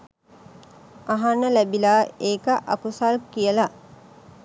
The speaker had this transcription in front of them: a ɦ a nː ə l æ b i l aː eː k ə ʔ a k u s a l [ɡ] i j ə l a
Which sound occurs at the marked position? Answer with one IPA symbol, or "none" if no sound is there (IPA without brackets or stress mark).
k